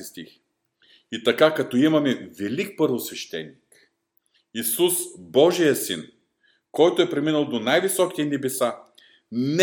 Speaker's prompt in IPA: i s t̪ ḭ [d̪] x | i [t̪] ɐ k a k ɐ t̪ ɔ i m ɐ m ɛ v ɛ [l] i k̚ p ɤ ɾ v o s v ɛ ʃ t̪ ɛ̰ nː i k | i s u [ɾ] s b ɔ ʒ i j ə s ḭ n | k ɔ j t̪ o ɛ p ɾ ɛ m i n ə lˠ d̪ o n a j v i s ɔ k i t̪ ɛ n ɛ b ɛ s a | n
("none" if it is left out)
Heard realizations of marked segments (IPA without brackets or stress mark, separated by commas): none, t̪, l, none